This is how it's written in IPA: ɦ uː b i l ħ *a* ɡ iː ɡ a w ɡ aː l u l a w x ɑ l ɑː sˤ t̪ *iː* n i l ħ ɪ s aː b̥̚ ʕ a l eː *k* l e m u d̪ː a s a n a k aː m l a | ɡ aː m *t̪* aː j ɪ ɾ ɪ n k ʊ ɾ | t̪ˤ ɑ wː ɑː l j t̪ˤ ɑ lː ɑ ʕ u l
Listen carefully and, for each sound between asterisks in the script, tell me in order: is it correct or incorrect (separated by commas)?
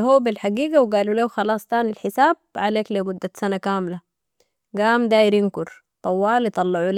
correct, incorrect, correct, incorrect